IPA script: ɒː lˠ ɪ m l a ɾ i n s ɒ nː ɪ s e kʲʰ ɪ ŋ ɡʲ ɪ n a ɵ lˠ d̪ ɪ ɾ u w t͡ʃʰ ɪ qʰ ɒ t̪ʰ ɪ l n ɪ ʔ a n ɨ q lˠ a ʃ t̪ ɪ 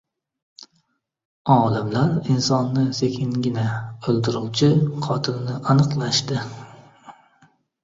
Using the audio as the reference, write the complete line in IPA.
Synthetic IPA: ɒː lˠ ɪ m l a ɾ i n s ɒ nː ɪ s e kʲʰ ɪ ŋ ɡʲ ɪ n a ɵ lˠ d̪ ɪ ɾ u w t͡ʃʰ ɪ qʰ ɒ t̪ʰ ɪ l n ɪ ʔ a n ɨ q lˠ a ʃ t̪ ɪ